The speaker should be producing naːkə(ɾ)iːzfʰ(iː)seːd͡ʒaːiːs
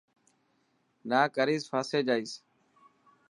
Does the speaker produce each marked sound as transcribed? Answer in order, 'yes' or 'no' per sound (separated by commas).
yes, no